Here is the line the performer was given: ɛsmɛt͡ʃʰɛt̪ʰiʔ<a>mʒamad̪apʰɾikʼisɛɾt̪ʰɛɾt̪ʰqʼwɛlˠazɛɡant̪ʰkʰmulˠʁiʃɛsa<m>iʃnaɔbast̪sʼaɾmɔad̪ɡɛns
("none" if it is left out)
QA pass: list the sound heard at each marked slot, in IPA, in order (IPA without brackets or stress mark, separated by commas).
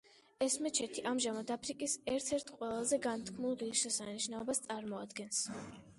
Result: a, n